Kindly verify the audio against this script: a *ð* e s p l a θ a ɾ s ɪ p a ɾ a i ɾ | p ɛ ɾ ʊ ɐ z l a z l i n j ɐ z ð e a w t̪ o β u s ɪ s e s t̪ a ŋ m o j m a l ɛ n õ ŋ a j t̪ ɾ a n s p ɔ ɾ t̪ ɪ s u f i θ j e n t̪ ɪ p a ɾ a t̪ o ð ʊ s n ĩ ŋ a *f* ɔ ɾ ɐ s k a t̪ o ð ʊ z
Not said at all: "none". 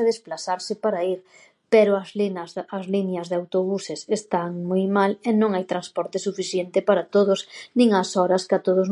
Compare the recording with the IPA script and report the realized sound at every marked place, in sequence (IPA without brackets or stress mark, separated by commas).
ð, s